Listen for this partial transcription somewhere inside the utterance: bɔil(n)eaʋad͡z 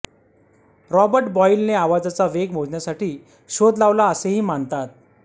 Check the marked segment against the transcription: correct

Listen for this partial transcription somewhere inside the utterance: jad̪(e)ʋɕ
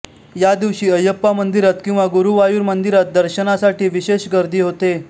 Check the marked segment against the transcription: incorrect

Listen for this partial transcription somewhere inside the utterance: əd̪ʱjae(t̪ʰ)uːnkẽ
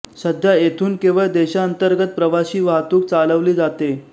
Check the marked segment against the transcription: correct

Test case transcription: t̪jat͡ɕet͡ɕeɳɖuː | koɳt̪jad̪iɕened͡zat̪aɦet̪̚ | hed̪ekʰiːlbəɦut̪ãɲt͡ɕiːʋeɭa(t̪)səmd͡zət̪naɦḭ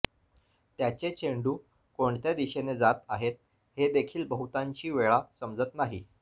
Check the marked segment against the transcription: incorrect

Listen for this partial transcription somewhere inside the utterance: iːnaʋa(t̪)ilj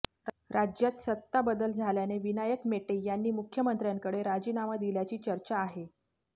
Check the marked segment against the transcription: incorrect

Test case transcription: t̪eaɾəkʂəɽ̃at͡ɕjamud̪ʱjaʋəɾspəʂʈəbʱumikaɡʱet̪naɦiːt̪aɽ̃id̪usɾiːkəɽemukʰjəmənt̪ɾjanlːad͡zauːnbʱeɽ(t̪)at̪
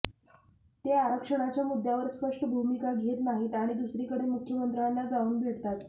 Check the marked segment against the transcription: correct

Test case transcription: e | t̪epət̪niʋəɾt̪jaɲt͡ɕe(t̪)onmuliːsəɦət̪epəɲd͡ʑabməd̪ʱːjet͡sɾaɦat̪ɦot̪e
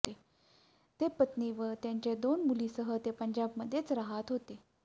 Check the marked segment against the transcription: incorrect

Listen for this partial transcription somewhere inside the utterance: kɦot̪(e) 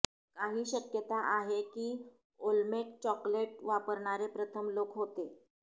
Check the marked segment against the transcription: correct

